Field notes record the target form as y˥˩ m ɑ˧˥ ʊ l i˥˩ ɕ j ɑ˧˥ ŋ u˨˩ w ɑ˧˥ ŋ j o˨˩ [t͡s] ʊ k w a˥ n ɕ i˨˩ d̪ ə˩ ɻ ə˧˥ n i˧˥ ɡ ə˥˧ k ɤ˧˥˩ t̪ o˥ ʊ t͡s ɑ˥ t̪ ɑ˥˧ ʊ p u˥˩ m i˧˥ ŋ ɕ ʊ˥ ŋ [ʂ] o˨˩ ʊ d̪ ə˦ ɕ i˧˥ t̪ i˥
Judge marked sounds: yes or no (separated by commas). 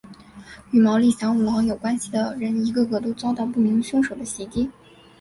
no, yes